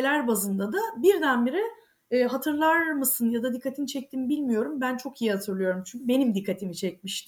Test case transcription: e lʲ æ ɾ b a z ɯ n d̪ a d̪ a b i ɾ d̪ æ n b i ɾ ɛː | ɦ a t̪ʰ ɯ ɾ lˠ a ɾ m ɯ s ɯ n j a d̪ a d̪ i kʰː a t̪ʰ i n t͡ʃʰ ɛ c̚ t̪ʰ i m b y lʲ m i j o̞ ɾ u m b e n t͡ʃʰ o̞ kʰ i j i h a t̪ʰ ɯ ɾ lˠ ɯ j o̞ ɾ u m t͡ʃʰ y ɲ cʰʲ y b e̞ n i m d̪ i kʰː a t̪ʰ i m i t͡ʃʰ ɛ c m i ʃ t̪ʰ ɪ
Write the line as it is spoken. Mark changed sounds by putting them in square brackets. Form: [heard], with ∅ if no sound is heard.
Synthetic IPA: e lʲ æ ɾ b a z ɯ n d̪ a d̪ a b i ɾ d̪ æ n b i ɾ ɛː | ɦ a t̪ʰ ɯ ɾ lˠ a ɾ m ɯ s ɯ n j a d̪ a d̪ i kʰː a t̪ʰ i n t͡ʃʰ ɛ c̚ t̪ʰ i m b [i] lʲ m i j o̞ ɾ u m b [æ] n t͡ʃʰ o̞ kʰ i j i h a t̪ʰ ɯ ɾ lˠ ɯ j o̞ ɾ u m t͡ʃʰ y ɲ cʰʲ y b e̞ n i m d̪ i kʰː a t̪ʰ i m i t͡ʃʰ ɛ c m i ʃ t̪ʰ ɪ